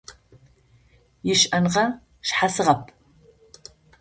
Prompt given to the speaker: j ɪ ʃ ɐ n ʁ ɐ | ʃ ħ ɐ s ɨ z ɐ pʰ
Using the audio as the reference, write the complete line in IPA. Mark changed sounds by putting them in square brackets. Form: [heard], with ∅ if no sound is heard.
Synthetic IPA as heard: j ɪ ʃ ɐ n ʁ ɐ | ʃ ħ [a] s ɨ [ʁ] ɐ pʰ